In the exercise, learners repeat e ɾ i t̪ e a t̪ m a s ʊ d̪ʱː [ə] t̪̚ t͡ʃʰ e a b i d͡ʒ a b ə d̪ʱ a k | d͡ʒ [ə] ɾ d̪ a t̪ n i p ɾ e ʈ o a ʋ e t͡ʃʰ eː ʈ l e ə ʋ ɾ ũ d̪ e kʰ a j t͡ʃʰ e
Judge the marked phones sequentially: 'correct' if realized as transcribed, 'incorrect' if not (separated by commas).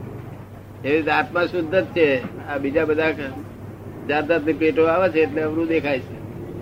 correct, incorrect